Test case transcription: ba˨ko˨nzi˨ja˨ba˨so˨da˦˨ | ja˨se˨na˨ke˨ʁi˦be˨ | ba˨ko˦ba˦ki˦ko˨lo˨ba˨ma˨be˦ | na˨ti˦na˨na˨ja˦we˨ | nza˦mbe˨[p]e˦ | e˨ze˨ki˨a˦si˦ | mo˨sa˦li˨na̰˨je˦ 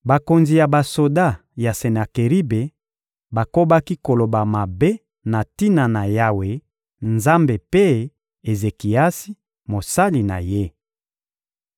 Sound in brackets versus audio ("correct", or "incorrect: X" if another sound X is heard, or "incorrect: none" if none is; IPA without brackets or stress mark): correct